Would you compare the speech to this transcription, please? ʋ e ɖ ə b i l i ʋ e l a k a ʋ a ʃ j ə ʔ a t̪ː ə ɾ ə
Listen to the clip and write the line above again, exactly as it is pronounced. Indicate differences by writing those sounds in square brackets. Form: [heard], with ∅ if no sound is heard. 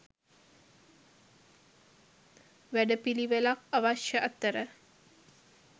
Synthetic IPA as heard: ʋ [æ] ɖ ə [p] i l i ʋ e l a k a ʋ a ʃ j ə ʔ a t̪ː ə ɾ ə